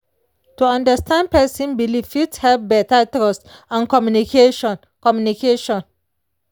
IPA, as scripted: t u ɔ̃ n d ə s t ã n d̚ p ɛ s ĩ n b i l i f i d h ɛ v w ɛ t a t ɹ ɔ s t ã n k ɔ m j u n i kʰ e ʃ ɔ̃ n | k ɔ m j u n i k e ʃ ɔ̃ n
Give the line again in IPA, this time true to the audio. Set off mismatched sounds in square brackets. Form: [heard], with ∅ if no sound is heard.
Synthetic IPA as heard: t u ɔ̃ n d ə s t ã n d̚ p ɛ s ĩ n b i l i f i [t] h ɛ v [b] ɛ t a t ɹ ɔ s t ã n k ɔ m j u n i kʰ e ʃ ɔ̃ n | k ɔ m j u n i k e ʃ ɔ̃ n